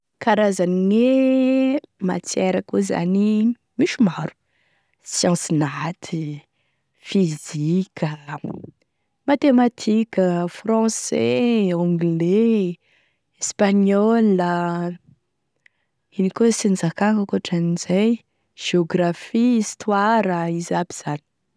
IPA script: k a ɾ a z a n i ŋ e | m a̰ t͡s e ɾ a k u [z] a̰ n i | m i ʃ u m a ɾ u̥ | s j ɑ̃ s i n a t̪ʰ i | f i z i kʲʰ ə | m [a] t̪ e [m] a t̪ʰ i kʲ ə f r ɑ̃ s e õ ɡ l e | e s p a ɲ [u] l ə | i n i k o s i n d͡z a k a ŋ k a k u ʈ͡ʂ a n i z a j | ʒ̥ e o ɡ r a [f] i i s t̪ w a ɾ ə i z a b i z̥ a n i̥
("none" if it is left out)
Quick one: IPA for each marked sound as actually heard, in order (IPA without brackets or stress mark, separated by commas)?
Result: z, a, m, ɔ, f